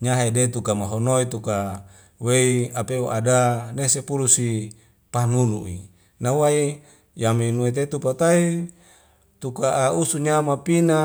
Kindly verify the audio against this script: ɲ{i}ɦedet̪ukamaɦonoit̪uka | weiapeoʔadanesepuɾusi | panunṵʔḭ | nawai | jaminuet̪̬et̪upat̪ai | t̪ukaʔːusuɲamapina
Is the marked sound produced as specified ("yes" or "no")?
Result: no